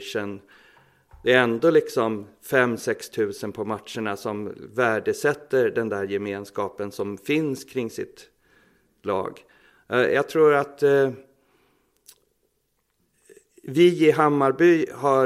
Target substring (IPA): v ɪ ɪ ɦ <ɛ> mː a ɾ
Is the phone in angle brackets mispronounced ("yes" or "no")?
yes